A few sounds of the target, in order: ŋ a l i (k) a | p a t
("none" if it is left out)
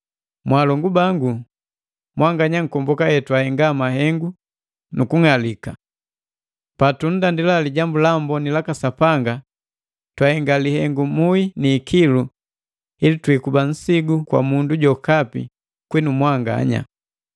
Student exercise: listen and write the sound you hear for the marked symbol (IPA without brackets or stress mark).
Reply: k